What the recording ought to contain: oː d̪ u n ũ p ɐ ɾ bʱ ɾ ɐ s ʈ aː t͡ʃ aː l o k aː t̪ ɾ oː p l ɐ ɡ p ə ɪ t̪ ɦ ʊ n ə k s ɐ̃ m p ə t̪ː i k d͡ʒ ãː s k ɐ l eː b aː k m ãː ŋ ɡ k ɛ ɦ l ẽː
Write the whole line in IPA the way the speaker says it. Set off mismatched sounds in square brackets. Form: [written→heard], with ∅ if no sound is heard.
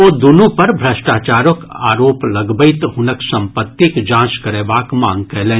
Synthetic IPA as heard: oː d̪ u n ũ p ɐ ɾ bʱ ɾ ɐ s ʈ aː t͡ʃ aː [l→ɾ] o k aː [t̪→∅] ɾ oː p l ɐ ɡ [p→b] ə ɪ t̪ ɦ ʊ n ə k s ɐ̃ m p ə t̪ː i k d͡ʒ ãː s k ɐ [l→ɾ] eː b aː k m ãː ŋ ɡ k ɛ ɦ l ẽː